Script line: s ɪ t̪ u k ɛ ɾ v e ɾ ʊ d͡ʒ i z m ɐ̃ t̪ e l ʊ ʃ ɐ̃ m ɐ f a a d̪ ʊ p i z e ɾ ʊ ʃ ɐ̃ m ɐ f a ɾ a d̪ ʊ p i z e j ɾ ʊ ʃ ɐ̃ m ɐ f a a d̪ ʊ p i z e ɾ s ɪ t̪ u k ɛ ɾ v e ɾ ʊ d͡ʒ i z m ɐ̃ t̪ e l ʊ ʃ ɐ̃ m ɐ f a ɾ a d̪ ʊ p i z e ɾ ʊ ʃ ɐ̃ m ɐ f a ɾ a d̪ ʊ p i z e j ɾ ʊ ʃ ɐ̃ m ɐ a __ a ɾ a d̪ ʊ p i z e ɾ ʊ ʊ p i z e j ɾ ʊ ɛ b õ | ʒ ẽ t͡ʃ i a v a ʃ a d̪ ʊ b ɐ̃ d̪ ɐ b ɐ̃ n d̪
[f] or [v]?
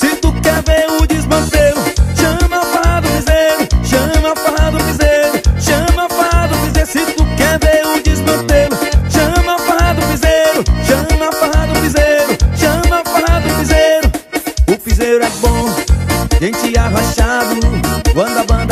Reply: f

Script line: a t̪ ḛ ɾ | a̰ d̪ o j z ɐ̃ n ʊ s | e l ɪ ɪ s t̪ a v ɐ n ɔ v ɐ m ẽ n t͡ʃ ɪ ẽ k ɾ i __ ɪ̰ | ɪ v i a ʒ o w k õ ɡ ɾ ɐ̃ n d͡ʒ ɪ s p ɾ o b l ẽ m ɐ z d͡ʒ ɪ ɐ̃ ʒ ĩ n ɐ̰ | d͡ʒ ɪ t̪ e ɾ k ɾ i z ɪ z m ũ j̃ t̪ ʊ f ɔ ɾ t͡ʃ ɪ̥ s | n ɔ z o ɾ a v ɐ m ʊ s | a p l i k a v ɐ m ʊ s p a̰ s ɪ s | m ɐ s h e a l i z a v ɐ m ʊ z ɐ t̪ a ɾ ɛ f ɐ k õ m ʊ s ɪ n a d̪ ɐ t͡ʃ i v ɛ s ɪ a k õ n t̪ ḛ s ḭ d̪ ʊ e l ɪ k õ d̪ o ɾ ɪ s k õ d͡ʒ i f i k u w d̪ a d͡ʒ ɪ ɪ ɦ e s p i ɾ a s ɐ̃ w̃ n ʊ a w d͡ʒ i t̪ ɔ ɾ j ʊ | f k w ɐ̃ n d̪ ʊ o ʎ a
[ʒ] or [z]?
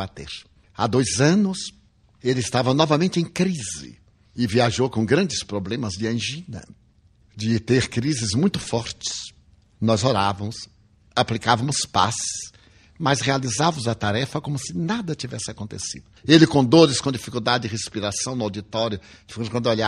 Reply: z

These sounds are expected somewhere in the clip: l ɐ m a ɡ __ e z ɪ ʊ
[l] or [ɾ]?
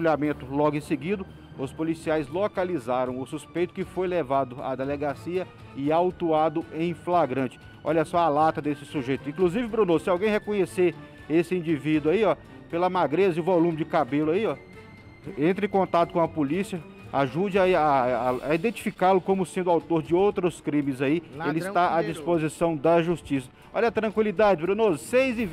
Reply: ɾ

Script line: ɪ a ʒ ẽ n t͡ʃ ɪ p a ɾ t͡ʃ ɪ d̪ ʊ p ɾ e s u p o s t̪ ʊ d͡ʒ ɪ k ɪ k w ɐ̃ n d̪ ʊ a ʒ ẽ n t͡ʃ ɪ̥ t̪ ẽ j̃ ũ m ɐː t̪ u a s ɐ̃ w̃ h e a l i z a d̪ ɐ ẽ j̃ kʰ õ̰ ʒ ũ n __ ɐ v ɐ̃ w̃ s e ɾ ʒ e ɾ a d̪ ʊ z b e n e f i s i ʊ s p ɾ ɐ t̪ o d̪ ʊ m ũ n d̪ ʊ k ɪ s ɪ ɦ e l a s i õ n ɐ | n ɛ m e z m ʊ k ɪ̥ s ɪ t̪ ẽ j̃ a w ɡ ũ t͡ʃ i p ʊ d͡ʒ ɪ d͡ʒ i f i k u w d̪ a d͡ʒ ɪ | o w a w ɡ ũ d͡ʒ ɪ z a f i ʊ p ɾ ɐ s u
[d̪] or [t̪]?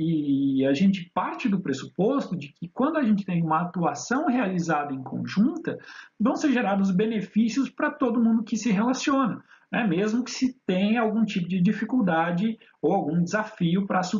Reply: t̪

